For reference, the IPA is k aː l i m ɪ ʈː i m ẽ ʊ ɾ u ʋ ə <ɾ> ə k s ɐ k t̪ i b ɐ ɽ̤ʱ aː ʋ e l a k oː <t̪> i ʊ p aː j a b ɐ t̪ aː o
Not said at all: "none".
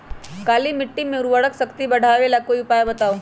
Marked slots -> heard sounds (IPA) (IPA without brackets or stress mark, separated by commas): ɽ, none